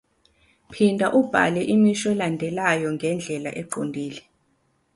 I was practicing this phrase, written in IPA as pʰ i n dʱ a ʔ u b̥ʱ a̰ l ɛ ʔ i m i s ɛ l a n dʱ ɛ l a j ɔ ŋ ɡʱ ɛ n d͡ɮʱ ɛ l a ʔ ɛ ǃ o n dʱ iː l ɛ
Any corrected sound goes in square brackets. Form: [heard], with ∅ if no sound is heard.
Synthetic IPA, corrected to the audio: pʰ i n dʱ a ʔ u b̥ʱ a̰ l ɛ ʔ i m i [ʃ] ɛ l a n dʱ ɛ l a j ɔ ŋ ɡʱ ɛ n d͡ɮʱ ɛ l a ʔ ɛ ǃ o n dʱ iː l ɛ